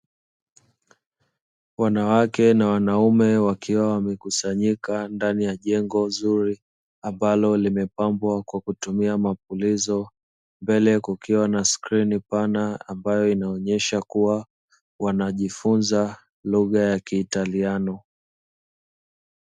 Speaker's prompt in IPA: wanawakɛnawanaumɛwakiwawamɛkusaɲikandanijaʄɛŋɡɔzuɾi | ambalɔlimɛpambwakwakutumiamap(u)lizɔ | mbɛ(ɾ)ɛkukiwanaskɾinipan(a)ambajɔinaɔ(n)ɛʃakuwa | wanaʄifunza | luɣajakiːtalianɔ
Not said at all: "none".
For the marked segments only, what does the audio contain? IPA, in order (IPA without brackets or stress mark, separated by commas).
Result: u, l, a, ɲ